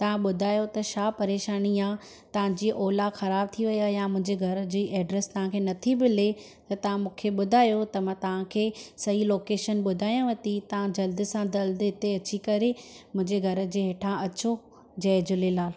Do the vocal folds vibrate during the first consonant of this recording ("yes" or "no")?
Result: no